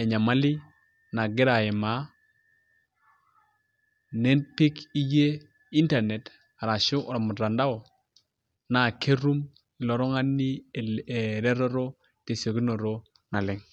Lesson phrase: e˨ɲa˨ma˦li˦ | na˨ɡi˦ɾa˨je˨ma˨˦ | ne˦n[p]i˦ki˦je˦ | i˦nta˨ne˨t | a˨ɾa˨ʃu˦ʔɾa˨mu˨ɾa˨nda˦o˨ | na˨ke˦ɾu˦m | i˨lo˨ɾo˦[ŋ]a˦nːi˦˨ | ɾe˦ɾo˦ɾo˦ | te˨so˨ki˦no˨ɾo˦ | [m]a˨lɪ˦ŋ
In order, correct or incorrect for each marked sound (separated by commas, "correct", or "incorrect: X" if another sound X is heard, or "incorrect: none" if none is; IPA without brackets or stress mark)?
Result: correct, correct, incorrect: n